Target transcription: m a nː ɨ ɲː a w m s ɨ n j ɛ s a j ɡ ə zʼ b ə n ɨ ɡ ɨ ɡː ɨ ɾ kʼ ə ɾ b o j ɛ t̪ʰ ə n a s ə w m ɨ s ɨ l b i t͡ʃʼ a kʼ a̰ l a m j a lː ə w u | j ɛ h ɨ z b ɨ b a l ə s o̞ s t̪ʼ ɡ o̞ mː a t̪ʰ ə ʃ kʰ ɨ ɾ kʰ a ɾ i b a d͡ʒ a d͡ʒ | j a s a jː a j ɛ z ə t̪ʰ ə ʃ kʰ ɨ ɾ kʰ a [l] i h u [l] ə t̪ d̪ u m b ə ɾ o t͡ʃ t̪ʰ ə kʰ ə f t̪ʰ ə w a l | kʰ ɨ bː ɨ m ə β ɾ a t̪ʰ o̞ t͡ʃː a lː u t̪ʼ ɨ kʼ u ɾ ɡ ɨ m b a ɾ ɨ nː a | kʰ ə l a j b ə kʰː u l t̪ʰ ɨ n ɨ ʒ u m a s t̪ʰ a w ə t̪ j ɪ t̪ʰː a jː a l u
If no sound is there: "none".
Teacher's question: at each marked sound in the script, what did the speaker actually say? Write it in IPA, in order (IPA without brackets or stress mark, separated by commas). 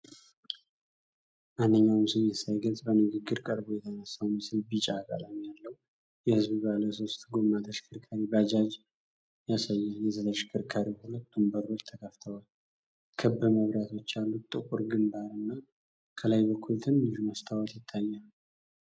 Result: ɾ, l